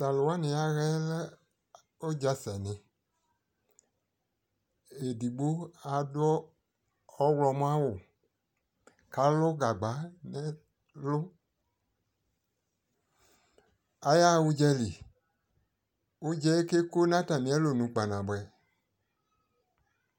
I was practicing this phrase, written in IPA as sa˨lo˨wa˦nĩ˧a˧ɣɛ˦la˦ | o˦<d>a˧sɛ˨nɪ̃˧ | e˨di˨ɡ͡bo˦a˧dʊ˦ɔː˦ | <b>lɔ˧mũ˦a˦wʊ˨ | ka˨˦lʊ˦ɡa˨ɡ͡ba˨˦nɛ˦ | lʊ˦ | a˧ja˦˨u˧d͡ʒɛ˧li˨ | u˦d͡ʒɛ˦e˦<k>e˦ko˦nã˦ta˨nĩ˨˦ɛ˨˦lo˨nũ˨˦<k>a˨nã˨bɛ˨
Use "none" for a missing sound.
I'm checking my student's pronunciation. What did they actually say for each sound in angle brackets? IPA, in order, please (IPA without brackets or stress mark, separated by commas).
d͡ʒ, w, k, k͡p